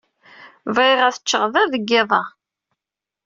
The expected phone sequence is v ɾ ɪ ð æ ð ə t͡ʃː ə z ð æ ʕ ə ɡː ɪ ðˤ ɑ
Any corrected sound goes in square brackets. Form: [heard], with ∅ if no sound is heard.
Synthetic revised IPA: v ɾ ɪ [ʁ] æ [θ] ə t͡ʃː ə [ʁ] ð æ [ð] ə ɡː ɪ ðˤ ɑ